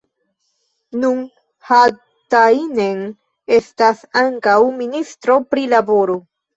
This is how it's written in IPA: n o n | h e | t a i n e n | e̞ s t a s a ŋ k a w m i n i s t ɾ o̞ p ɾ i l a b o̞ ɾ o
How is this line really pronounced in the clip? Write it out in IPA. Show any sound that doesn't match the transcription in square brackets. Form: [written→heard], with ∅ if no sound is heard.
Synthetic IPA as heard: n [o→u] n | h [e→a] | t a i n e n | e̞ s t a s a ŋ k a w m i n i s t ɾ o̞ p ɾ i l a b o̞ ɾ o